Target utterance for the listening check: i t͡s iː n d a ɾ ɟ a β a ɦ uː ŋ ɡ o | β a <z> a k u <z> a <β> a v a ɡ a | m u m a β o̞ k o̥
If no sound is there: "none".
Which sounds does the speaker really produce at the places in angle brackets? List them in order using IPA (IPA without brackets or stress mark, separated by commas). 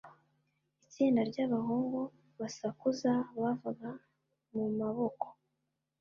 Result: s, z, β